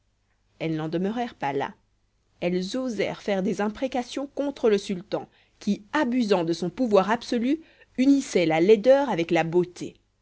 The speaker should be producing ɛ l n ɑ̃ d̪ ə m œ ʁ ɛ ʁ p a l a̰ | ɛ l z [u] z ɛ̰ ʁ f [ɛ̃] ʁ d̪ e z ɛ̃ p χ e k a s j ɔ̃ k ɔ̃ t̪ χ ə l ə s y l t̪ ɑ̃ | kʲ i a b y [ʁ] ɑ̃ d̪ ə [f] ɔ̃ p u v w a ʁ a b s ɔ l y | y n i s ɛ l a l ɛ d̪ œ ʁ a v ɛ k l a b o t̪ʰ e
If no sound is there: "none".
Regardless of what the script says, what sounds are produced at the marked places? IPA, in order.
o, ɛ, z, s

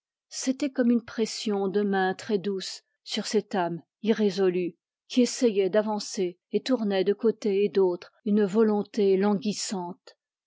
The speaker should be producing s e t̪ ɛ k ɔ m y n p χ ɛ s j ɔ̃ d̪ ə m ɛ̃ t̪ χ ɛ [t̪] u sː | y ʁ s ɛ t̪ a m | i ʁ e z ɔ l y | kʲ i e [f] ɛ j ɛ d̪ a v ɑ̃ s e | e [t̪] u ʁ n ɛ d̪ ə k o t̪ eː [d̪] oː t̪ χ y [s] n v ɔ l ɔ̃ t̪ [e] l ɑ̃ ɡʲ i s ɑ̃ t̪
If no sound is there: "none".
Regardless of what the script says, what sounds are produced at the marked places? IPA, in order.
d̪, s, t̪, d̪, none, e

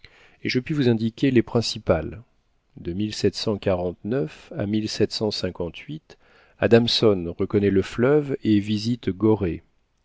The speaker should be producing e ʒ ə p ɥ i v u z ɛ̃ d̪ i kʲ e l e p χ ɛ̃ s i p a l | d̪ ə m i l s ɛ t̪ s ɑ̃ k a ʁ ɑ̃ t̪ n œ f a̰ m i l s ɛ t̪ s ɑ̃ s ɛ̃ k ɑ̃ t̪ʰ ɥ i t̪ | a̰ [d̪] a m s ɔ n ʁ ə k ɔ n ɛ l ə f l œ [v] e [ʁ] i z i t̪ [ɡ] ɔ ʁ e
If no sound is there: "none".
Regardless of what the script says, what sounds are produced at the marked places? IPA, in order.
d̪, v, v, ɡ

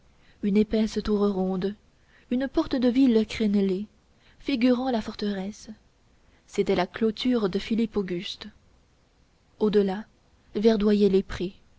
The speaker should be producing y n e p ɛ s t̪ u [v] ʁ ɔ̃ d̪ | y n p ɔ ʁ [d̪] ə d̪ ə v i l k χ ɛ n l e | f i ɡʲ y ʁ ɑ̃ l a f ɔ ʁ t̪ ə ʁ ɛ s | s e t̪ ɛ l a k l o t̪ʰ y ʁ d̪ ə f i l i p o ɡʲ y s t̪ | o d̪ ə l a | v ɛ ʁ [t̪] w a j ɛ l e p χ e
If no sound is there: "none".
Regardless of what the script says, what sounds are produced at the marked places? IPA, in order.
ʁ, t̪, d̪

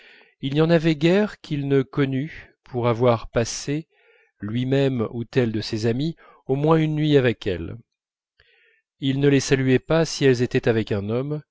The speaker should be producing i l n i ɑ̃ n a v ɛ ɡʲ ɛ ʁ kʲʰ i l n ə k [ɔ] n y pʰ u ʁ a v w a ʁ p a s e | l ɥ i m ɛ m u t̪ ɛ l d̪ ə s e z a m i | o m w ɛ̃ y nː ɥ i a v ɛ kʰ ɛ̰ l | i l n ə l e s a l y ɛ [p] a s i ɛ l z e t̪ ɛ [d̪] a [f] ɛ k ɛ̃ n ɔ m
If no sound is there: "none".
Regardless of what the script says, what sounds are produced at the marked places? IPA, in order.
ɔ, p, t̪, v

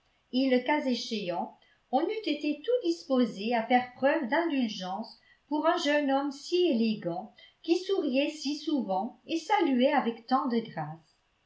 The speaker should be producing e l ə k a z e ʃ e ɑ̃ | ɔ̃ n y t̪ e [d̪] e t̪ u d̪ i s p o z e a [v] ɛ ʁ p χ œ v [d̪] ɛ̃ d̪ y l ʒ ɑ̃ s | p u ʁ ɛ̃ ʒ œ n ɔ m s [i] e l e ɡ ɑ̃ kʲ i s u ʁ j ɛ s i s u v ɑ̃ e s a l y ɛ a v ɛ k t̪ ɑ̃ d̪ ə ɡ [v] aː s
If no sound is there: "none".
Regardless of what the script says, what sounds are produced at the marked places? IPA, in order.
t̪, f, d̪, i, ʁ

